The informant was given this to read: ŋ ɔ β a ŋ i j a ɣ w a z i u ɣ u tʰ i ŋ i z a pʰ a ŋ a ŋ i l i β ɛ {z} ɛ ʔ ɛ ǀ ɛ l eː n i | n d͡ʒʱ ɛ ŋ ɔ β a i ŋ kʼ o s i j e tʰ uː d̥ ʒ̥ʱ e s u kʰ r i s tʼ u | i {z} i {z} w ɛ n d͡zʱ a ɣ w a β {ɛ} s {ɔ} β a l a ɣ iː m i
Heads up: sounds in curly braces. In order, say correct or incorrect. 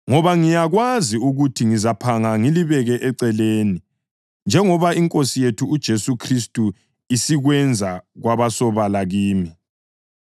incorrect: ɣ, incorrect: s, incorrect: ɣ, incorrect: a, correct

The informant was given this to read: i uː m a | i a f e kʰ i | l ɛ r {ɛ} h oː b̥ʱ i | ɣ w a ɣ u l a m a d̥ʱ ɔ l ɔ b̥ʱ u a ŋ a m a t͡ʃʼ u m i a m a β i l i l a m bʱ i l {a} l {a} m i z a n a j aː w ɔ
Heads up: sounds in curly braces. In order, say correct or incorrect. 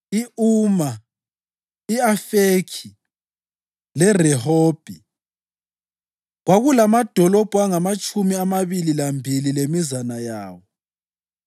correct, incorrect: i, incorrect: e

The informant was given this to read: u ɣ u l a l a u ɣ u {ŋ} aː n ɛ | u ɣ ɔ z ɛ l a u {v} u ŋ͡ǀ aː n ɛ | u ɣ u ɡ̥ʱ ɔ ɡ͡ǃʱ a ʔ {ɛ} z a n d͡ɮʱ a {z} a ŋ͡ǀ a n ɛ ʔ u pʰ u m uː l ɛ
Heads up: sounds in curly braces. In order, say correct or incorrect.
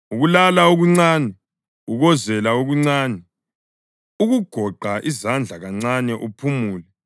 incorrect: ŋ͡ǀ, incorrect: ɣ, incorrect: i, incorrect: ɣ

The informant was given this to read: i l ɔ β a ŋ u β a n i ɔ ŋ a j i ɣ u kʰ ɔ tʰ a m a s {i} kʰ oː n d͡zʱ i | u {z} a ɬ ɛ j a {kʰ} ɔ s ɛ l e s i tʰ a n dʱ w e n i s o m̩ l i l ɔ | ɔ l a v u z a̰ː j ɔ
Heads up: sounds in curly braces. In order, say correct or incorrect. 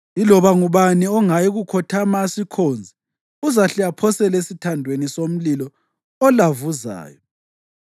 correct, correct, incorrect: pʰ

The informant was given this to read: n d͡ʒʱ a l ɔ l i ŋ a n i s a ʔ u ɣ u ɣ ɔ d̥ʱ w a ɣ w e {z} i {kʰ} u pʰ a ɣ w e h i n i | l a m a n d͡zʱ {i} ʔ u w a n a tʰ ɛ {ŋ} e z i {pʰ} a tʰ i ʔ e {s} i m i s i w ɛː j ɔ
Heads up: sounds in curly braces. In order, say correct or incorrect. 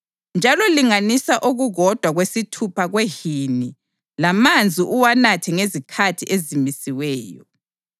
incorrect: s, incorrect: tʰ, correct, correct, incorrect: kʰ, incorrect: z

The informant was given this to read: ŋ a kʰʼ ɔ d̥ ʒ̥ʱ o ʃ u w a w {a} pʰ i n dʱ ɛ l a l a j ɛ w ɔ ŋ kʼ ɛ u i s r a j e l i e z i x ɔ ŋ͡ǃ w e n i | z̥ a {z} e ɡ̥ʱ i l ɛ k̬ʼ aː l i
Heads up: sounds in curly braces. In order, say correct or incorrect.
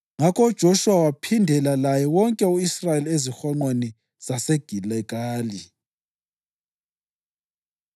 correct, incorrect: s

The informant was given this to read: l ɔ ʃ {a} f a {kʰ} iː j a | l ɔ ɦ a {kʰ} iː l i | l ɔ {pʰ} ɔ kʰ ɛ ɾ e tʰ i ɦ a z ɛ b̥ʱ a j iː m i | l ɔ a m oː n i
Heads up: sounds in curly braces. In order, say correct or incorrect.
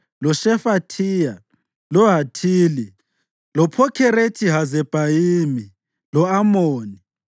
incorrect: ɛ, incorrect: tʰ, incorrect: tʰ, correct

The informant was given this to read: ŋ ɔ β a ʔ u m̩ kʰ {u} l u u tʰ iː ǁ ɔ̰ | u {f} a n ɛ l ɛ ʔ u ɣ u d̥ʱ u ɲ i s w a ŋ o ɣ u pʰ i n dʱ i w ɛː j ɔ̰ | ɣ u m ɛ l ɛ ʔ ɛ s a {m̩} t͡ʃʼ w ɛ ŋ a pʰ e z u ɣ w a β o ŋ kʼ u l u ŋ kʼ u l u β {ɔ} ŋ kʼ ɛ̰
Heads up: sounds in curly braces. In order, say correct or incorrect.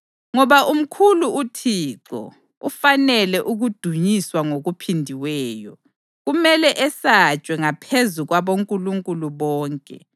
correct, correct, incorrect: none, incorrect: ɔː

